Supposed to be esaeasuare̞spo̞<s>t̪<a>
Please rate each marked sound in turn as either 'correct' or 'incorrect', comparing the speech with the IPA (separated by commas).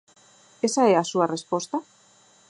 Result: correct, correct